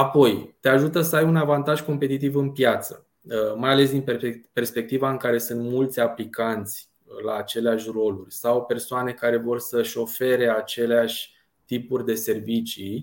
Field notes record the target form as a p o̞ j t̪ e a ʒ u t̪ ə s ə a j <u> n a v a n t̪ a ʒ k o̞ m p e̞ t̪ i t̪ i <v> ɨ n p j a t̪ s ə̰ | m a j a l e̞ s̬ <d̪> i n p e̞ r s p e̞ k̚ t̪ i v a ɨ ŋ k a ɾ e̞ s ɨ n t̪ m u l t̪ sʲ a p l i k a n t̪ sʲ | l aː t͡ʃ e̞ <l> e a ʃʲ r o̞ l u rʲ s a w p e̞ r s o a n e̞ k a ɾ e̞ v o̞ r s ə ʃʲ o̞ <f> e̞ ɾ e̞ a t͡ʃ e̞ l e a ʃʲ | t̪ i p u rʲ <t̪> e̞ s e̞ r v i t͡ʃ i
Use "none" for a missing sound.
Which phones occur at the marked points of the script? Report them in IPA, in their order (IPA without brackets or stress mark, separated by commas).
u, v, d̪, l, f, d̪